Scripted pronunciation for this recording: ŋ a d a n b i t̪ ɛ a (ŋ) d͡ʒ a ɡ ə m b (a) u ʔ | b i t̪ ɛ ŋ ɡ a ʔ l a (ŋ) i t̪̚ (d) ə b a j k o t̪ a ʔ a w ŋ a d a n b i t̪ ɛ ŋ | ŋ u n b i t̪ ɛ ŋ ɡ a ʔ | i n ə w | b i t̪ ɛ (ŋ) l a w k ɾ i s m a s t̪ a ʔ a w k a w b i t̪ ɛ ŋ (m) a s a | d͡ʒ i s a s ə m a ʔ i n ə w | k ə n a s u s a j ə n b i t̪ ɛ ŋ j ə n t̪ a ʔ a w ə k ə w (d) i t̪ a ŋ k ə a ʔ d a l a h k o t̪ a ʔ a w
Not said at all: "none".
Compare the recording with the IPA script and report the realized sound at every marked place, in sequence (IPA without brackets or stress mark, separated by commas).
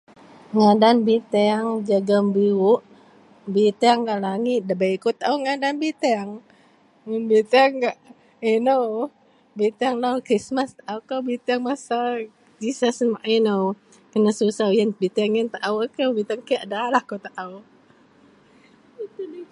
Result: ŋ, i, ŋ, d, ŋ, m, b